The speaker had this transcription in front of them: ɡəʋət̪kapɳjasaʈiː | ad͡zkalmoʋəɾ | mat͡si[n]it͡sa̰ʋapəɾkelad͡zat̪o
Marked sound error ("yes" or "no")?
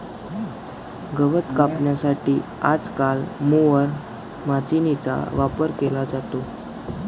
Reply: no